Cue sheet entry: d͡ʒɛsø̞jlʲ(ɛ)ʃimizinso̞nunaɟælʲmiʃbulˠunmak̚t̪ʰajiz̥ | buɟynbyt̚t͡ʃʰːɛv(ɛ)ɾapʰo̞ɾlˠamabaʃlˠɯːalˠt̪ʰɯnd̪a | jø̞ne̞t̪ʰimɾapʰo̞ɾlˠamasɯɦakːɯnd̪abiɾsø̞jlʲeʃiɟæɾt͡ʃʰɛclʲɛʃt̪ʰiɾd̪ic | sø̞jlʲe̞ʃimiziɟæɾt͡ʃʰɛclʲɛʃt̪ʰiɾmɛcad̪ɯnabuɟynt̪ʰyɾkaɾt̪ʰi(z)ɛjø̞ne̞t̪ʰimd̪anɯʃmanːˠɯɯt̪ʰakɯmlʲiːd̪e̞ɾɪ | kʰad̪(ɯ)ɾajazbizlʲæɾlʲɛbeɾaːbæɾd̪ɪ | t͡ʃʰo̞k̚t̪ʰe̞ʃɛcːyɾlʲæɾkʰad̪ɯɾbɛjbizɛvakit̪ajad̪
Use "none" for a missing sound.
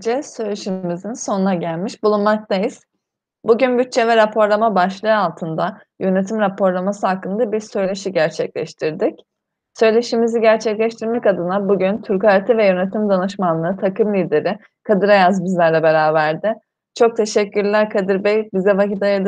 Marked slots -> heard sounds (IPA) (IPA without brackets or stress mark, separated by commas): e, ɛ, v, ɯ